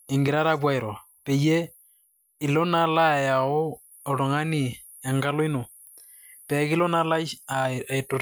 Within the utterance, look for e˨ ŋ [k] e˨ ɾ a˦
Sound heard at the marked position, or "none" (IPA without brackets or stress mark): ɡ